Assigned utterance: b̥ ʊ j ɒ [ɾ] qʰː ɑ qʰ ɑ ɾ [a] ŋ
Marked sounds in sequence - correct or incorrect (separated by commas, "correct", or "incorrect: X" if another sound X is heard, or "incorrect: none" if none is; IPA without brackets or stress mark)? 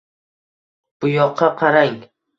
incorrect: none, correct